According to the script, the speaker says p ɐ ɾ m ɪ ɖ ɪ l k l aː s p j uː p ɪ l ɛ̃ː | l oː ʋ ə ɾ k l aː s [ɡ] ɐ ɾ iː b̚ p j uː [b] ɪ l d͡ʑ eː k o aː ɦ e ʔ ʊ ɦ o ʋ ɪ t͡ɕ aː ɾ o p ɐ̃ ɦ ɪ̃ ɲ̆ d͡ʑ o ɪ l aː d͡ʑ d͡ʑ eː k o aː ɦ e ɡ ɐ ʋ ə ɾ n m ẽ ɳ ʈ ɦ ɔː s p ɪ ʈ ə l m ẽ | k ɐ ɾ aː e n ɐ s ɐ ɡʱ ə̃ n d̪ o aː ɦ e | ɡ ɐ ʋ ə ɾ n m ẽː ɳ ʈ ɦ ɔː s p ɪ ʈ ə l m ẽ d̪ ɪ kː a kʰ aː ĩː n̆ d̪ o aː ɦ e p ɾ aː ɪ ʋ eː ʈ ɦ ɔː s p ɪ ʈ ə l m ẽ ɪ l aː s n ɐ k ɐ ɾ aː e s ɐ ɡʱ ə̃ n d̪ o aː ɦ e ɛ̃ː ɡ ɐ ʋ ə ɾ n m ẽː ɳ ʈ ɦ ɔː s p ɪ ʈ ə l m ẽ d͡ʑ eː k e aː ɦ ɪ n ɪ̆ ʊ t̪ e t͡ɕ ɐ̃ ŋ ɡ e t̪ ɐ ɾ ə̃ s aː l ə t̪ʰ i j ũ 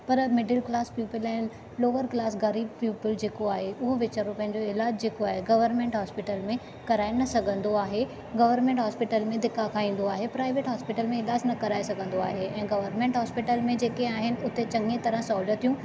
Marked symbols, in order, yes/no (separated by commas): yes, no